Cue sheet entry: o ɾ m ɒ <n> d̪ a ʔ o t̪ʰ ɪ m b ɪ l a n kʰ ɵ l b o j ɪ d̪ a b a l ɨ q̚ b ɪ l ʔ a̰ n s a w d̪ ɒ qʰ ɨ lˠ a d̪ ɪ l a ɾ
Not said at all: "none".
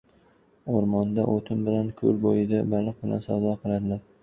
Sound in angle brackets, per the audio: n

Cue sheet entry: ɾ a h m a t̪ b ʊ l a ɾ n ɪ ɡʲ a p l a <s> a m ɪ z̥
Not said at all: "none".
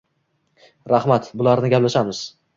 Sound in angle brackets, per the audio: ʃ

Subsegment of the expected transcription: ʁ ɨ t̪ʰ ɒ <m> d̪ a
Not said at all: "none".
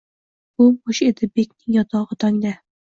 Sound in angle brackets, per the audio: ŋ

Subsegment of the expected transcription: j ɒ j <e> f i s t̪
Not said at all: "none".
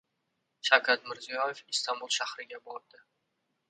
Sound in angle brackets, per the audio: e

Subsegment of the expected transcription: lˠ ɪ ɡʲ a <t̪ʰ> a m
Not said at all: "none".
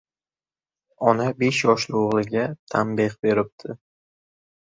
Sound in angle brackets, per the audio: t̪ʰ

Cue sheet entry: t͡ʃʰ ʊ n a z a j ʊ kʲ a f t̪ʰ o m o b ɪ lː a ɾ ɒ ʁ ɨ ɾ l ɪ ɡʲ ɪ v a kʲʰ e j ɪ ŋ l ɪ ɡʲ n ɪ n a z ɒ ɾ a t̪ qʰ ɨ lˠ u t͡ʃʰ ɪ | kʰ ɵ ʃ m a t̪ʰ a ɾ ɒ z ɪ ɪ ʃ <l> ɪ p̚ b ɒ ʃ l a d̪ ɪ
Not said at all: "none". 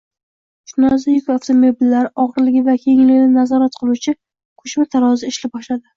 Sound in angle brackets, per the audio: l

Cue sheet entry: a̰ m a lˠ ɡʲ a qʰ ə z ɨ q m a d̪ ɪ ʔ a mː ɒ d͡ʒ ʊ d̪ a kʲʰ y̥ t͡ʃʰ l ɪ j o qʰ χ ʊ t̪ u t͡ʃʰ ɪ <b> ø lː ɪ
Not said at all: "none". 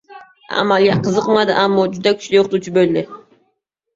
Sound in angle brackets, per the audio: b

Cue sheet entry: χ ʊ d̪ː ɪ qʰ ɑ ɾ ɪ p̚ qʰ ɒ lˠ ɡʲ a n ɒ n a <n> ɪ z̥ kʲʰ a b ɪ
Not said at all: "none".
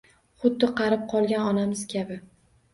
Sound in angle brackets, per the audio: m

